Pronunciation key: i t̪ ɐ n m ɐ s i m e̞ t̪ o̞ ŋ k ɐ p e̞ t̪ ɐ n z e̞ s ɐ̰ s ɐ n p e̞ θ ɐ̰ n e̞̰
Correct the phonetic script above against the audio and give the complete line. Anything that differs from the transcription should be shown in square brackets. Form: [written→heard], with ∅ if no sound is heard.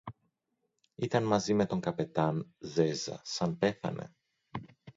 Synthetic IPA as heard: i t̪ ɐ n m ɐ [s→z] i m e̞ t̪ o̞ ŋ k ɐ p e̞ t̪ ɐ n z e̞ [s→z] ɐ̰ s ɐ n p e̞ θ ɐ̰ n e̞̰